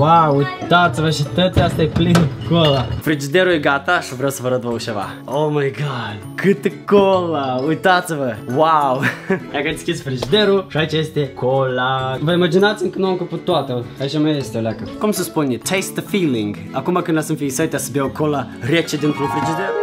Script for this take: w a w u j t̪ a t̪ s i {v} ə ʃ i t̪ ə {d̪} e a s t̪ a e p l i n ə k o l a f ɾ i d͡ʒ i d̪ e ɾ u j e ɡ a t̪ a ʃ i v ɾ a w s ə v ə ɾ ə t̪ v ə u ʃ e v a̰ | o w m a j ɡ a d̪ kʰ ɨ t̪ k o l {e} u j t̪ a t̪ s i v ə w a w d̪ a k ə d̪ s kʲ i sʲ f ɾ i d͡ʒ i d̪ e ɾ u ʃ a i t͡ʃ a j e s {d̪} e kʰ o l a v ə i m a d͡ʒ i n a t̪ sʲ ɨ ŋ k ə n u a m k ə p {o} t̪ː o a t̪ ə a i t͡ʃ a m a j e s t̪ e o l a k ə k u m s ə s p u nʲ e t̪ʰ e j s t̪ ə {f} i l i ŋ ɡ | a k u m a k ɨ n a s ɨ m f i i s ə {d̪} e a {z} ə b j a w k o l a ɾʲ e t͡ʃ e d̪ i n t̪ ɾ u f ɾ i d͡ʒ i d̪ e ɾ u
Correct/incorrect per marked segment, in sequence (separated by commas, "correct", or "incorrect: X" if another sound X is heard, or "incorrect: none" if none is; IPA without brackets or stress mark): correct, incorrect: t̪, incorrect: a, incorrect: t̪, incorrect: u, correct, incorrect: t̪, incorrect: s